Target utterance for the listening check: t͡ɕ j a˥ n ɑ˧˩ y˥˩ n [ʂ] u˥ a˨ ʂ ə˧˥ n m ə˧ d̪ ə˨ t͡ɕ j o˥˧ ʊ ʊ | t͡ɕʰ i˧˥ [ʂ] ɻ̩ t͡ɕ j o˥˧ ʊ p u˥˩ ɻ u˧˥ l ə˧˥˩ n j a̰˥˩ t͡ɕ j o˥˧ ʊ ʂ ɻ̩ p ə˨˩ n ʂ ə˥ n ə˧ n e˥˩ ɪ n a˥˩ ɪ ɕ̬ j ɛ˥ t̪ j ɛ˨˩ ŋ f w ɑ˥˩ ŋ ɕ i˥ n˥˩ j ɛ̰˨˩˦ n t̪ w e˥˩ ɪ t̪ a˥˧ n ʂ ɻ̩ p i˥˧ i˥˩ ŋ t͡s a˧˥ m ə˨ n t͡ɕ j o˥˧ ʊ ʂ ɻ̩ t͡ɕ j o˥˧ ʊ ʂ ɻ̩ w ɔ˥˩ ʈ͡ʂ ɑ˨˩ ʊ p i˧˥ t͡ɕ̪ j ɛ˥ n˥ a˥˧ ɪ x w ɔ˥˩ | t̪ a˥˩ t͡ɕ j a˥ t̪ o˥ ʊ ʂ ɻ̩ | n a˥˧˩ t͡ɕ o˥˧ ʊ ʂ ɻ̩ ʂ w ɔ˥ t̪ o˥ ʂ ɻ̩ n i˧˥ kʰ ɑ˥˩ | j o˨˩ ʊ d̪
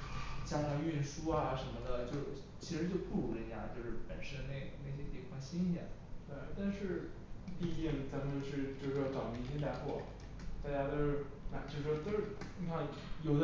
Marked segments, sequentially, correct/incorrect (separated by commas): correct, correct